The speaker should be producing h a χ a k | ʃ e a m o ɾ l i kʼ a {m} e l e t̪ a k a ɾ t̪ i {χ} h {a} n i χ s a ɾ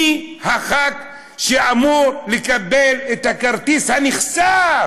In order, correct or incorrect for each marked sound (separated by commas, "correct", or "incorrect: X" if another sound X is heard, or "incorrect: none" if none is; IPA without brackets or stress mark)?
incorrect: b, incorrect: s, correct